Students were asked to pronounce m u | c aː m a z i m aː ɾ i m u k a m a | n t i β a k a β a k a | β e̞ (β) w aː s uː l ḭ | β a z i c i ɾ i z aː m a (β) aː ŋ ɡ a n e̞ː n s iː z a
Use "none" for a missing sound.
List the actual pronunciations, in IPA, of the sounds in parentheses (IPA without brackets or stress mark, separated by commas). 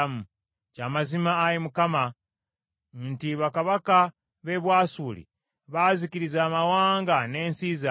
β, w